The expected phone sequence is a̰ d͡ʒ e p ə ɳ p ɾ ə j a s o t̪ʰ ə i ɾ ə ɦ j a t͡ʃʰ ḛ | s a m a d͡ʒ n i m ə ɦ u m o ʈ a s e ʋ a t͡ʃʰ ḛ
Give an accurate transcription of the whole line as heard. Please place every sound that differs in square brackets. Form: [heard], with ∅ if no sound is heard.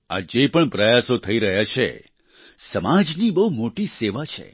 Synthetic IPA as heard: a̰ d͡ʒ e p ə ɳ p ɾ ə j a s o t̪ʰ ə i ɾ ə ɦ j a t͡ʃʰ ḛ | s [ə] m a d͡ʒ n i [b] ə ɦ u m o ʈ [i] s e ʋ a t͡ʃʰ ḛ